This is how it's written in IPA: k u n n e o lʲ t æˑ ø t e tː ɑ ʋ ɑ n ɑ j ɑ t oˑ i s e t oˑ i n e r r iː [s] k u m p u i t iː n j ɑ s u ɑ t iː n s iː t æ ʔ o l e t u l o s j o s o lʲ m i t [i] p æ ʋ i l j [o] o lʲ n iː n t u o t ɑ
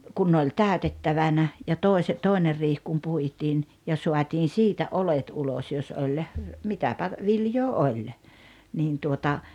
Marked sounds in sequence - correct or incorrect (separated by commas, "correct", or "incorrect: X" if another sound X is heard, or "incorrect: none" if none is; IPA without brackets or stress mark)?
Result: incorrect: h, incorrect: æ, incorrect: oː